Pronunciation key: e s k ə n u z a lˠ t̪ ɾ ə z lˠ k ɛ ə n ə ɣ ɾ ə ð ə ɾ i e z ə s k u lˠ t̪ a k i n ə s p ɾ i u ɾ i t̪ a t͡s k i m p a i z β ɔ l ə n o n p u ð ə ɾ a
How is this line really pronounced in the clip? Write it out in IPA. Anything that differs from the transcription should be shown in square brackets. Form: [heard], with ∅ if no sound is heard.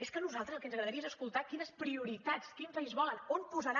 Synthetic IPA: e s k ə n u z a lˠ t̪ ɾ ə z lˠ k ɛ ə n ə ɣ ɾ ə ð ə ɾ i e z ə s k u lˠ t̪ a k i n ə s p ɾ i u ɾ i t̪ a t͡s k i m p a i z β ɔ l ə n o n p u [z] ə ɾ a